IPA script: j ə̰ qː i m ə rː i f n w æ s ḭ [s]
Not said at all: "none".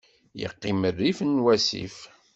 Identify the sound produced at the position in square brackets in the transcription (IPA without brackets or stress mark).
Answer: f